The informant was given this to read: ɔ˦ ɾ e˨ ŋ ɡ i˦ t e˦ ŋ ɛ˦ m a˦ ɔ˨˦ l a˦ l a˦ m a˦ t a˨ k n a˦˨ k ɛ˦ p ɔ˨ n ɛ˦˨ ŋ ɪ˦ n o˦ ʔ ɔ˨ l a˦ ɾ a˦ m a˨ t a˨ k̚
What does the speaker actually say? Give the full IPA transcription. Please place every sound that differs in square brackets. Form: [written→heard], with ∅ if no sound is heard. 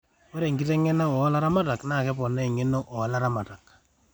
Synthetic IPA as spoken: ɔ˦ ɾ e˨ ŋ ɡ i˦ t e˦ ŋ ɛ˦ [m→n] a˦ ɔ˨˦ l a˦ [l→ɾ] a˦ m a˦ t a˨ k n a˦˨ k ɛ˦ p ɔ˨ n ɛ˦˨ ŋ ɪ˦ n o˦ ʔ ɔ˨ l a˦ ɾ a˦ m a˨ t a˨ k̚